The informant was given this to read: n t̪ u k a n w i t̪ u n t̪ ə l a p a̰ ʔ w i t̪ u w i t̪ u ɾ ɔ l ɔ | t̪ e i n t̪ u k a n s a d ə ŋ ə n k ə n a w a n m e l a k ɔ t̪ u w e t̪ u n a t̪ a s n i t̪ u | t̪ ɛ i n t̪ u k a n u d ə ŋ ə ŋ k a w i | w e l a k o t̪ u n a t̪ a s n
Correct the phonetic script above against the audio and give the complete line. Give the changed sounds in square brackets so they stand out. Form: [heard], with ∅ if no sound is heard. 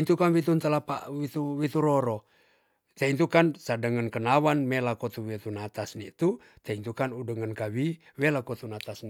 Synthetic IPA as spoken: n t̪ u k a n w i t̪ u n t̪ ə l a p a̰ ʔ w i t̪ u w i t̪ u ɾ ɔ [ɾ] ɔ | t̪ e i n t̪ u k a n s a d ə ŋ ə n k ə n a w a n m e l a k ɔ t̪ u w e t̪ u n a t̪ a s n i t̪ u | t̪ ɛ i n t̪ u k a n u d ə ŋ ə [n] k a w i | w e l a k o t̪ u n a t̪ a s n